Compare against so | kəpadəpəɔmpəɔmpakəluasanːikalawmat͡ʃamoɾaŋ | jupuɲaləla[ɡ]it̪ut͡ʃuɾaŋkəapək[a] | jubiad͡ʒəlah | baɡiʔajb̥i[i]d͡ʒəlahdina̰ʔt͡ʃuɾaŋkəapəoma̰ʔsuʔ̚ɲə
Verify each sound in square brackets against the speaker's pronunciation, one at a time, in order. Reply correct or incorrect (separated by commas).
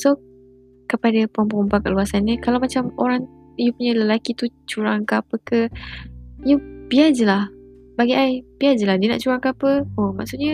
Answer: incorrect, incorrect, incorrect